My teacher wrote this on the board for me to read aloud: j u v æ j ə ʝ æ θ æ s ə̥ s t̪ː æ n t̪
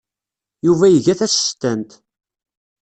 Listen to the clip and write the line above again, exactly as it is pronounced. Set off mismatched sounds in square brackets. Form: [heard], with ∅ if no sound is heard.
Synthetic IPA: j u v æ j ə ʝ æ θ æ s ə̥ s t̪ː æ n t̪